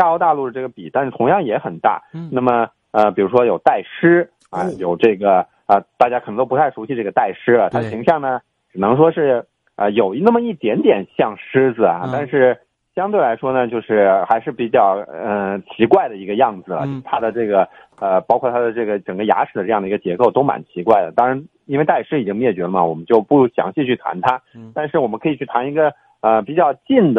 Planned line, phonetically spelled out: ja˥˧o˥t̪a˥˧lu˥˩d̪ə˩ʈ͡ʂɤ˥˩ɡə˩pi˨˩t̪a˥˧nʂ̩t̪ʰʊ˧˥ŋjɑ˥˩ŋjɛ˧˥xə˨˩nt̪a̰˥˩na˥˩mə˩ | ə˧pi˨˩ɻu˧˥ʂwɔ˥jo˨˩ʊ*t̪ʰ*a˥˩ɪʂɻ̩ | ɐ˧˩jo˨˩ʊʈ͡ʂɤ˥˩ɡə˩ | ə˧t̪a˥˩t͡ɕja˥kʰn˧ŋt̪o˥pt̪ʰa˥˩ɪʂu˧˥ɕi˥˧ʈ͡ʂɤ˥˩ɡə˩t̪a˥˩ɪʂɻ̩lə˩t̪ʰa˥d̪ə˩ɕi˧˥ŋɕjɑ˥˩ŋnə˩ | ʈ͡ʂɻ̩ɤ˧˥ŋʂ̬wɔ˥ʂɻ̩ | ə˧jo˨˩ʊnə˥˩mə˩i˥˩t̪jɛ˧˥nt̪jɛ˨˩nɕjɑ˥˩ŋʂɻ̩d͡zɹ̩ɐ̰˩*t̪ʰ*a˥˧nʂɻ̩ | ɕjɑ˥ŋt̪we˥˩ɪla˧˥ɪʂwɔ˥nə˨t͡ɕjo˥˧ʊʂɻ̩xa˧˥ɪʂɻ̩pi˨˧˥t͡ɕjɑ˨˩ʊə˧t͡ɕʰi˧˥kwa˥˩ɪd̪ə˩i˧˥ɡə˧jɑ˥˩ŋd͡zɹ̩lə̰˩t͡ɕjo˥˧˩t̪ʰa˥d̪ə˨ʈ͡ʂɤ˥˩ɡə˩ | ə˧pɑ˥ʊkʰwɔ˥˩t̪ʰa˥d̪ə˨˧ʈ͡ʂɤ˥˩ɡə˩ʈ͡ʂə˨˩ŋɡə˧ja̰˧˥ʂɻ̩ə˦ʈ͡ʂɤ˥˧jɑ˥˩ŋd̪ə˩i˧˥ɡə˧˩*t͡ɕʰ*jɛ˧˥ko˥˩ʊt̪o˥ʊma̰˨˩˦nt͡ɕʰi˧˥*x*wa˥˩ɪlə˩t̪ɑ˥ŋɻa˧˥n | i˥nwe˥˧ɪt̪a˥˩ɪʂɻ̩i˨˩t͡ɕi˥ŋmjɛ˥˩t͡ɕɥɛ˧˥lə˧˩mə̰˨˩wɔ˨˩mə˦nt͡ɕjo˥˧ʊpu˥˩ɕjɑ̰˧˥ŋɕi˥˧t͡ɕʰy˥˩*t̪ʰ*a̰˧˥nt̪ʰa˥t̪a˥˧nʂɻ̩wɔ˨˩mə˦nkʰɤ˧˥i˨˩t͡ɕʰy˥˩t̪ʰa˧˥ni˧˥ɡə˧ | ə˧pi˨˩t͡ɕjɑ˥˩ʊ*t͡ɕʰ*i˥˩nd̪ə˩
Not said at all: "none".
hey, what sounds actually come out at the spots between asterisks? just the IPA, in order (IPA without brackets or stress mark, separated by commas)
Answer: t̪, t̪, t͡ɕ, k, t̪ʰ, t͡ɕ